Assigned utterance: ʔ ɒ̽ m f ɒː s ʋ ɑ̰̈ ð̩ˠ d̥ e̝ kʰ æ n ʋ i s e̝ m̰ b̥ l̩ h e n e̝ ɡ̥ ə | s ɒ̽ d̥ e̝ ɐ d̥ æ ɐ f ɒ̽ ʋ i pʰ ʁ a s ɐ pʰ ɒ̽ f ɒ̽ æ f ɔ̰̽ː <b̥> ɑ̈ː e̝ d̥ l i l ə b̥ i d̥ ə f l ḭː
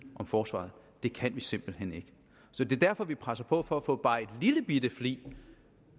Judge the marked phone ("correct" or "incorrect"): correct